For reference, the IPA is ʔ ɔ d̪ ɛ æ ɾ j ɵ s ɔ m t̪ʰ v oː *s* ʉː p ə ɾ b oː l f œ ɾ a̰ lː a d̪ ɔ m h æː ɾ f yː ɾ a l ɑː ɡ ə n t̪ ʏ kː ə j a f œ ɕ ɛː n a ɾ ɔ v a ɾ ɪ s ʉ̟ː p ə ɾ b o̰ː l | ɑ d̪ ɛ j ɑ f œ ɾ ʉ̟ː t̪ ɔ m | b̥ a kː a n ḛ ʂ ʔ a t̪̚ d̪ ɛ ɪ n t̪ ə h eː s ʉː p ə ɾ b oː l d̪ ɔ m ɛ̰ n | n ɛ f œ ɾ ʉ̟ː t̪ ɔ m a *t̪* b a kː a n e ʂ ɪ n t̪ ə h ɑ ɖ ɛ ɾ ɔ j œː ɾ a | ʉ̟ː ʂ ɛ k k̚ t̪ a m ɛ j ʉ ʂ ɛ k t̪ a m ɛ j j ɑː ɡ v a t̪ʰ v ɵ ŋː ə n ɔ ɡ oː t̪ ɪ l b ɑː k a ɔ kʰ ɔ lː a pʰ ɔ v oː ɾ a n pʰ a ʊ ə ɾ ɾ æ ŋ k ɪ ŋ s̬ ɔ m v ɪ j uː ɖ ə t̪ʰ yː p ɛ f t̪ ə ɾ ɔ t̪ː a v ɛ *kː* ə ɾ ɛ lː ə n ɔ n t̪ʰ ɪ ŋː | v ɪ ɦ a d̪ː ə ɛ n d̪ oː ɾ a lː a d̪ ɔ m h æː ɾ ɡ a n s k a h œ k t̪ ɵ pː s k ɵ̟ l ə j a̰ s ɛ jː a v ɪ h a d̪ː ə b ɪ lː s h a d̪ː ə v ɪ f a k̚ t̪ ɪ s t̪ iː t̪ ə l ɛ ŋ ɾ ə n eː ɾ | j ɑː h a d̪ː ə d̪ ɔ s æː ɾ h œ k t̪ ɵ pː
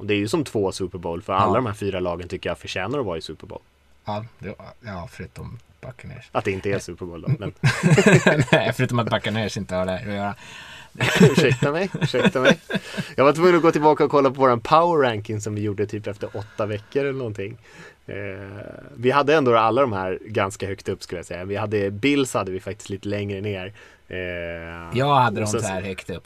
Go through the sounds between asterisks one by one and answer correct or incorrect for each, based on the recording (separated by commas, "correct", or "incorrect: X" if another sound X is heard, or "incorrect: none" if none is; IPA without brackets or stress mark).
correct, correct, correct